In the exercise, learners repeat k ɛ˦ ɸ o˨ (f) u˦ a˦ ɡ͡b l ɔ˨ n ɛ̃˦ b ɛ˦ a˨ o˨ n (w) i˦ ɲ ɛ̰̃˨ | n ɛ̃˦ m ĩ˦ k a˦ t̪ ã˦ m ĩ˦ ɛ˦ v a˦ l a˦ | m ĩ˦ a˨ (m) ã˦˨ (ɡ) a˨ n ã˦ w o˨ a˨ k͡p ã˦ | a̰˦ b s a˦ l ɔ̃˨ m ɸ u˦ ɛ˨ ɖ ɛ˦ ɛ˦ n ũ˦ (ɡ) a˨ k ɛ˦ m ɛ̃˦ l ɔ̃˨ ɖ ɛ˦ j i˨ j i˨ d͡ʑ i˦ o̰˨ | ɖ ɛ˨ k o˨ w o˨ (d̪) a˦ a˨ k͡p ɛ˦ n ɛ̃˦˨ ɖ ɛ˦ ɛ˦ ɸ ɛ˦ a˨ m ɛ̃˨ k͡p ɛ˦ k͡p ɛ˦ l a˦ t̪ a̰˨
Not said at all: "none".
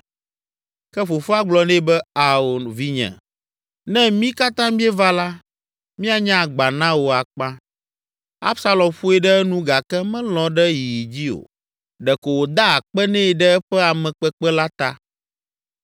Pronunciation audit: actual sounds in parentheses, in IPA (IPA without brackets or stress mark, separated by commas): f, v, ɲ, ɡ͡b, ɡ, d̪